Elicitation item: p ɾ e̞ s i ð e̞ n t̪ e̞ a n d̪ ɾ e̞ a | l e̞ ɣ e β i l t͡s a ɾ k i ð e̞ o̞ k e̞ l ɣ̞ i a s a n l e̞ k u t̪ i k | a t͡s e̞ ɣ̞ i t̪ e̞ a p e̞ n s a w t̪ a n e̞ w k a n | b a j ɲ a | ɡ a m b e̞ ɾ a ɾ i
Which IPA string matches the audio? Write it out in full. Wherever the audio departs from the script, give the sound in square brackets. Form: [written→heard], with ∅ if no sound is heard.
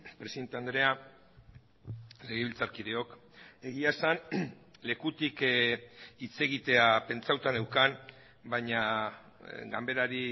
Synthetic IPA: p ɾ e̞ s i ð e̞ n t̪ e̞ a n d̪ ɾ e̞ a | l e̞ ɣ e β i l t͡s a ɾ k i ð e̞ o̞ k e̞ [l→∅] ɣ̞ i a s a n l e̞ k u t̪ i k | [a→i] t͡s e̞ ɣ̞ i t̪ e̞ a p e̞ n [s→t͡s] a w t̪ a n e̞ w k a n | b a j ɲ a | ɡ a m b e̞ ɾ a ɾ i